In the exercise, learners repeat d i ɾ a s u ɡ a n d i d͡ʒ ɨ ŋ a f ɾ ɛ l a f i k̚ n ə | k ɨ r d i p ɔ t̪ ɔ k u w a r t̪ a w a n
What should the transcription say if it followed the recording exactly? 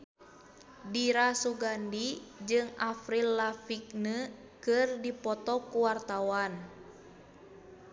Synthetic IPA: d i ɾ a s u ɡ a n d i d͡ʒ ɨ ŋ a f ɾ i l a f i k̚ n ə | k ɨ r d i p ɔ t̪ ɔ k u w a r t̪ a w a n